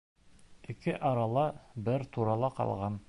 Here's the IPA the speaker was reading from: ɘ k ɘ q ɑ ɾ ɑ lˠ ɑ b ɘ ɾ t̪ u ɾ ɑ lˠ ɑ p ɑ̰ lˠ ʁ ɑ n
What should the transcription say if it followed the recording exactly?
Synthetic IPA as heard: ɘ k ɘ ʔ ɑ ɾ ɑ lˠ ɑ b ɘ ɾ t̪ u ɾ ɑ lˠ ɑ q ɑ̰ lˠ ʁ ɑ n